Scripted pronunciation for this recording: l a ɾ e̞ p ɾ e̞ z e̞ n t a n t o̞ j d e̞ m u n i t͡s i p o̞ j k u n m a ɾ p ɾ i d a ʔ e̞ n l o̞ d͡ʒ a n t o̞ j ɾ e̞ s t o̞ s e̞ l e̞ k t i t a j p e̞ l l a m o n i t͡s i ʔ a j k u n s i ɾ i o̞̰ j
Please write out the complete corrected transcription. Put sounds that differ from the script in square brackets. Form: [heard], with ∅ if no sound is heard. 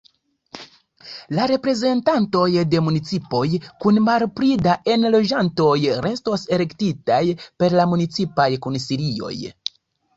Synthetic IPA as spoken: l a ɾ e̞ p ɾ e̞ z e̞ n t a n t o̞ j d e̞ m u n i t͡s i p o̞ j k u n m a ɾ p ɾ i d a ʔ e̞ n l o̞ d͡ʒ a n t o̞ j ɾ e̞ s t o̞ s e̞ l e̞ k t i t a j p e̞ [ɾ] l a m [u] n i t͡s i [p] a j k u n s i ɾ i o̞̰ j